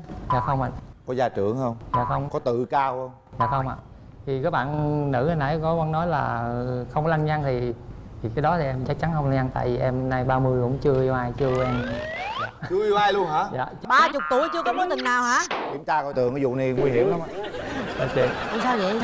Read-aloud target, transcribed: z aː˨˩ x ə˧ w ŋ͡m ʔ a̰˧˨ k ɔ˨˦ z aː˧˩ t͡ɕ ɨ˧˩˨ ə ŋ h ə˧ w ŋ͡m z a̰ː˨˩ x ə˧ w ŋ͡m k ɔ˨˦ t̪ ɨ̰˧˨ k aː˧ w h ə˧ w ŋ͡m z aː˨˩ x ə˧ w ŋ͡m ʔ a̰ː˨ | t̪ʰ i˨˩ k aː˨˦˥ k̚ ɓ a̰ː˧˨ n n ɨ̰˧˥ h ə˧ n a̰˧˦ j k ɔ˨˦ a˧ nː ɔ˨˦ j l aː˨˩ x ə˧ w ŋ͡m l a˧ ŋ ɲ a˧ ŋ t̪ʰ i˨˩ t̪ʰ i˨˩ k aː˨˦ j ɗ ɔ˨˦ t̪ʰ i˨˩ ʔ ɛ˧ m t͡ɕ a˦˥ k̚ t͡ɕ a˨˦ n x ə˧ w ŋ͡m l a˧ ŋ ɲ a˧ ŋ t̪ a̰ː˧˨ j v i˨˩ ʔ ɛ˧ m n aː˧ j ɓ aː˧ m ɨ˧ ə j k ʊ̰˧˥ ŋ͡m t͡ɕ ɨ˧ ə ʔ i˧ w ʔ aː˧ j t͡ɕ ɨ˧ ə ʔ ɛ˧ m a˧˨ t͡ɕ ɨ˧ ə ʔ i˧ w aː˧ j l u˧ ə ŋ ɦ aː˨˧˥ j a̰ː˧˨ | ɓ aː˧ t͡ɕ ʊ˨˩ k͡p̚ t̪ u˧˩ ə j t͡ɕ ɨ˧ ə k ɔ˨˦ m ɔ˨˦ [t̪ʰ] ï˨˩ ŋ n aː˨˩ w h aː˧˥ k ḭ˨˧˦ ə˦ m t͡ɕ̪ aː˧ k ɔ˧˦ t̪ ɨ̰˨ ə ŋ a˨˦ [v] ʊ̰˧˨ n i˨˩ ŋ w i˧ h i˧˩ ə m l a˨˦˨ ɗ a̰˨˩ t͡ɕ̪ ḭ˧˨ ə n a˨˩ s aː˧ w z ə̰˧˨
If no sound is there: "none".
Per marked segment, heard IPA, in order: t̪, z

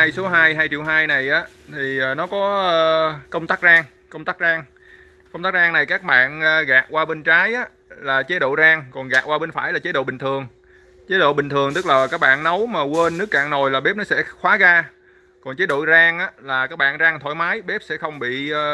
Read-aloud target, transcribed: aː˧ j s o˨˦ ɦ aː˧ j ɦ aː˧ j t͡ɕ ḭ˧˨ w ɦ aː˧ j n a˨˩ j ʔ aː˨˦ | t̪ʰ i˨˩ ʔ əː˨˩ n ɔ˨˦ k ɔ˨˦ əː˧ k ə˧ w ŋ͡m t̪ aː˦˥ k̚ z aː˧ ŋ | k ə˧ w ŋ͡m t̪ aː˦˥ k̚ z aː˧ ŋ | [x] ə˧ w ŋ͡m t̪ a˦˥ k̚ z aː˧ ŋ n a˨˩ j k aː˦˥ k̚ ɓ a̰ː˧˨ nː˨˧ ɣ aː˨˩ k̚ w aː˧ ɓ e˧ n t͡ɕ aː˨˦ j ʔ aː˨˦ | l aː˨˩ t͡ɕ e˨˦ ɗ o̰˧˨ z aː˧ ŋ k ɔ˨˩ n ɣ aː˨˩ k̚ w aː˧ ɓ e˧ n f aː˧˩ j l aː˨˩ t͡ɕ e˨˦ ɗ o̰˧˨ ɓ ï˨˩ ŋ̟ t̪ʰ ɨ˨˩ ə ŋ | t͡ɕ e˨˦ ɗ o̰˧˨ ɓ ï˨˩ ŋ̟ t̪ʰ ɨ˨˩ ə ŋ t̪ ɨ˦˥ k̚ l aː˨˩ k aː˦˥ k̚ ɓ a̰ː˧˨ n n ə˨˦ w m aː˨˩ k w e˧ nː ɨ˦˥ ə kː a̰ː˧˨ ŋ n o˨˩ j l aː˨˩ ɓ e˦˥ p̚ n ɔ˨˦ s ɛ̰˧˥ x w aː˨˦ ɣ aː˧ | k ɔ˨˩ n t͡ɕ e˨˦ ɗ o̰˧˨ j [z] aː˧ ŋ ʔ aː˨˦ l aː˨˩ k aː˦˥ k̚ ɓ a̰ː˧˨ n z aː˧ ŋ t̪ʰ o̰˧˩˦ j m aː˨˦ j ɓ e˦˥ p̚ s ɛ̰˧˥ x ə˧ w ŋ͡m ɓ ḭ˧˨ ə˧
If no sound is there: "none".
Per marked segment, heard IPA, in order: k, z

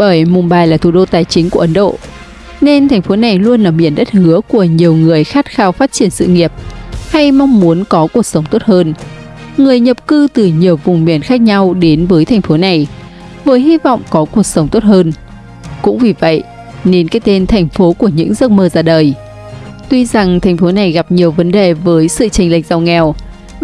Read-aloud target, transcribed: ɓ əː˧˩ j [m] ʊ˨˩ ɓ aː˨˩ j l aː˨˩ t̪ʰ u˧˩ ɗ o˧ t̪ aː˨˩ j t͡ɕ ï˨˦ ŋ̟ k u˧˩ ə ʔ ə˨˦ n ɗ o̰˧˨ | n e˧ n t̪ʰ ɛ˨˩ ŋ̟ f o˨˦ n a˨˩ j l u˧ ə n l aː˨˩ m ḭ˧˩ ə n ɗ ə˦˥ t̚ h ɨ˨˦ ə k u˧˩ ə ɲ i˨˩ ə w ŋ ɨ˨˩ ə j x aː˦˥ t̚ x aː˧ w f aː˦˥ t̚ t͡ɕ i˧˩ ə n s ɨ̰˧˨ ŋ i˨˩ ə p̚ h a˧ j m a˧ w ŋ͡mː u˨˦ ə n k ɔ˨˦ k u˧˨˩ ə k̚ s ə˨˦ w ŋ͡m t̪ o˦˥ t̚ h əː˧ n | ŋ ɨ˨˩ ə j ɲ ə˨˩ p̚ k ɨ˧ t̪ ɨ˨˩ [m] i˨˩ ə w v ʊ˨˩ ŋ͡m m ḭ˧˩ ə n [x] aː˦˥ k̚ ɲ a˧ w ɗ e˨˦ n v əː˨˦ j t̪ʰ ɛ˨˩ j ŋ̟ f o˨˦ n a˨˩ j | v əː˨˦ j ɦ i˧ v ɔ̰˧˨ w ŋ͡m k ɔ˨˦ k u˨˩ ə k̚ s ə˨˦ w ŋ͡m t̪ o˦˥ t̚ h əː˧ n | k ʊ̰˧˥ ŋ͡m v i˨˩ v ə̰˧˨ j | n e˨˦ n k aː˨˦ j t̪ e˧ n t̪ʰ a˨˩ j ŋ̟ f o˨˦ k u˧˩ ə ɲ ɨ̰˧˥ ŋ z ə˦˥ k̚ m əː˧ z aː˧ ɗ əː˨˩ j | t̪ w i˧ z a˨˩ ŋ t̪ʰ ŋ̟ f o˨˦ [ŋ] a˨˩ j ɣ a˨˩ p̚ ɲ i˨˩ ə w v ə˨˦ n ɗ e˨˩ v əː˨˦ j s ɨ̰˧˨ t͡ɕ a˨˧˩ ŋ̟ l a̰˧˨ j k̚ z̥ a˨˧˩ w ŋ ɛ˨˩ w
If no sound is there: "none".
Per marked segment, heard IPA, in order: m, ɲ, x, n

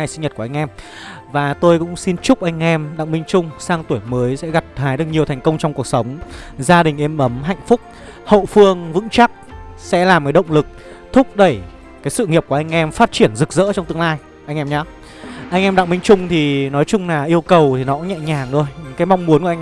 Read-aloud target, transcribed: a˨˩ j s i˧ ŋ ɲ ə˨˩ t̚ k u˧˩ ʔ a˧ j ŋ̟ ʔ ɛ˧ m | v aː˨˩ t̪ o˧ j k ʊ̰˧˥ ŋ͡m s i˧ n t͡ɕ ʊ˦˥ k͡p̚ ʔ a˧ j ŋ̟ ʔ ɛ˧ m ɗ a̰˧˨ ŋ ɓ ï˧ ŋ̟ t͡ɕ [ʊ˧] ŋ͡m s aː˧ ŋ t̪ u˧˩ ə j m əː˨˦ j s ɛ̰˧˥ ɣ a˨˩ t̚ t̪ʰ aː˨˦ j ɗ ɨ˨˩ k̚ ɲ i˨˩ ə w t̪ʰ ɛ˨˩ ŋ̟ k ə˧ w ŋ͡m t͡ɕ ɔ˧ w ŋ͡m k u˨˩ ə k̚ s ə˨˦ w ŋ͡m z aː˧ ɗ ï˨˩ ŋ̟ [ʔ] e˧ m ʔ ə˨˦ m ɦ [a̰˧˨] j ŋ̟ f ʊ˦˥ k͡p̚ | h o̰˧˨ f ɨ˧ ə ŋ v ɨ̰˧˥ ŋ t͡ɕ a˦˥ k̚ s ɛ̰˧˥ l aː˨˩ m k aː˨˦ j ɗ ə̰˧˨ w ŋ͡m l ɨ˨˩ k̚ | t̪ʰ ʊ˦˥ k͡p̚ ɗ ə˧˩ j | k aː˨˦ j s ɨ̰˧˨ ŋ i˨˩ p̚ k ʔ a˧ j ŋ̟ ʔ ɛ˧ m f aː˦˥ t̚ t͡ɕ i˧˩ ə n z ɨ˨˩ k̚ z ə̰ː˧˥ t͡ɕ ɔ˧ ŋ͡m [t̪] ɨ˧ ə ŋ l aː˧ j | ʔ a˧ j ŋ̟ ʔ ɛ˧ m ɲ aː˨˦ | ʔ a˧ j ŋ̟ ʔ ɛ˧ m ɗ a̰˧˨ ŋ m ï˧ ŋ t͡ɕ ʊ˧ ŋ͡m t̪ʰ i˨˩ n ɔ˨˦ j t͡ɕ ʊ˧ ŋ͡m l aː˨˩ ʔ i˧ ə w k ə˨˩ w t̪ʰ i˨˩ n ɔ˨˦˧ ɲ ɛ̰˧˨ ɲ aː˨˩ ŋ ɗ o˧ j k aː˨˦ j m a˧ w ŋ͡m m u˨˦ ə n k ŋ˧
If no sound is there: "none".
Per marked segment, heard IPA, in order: ʊ˧, ʔ, a̰˧˨, t̪

